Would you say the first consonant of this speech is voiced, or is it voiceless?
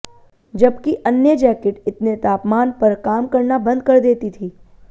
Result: voiced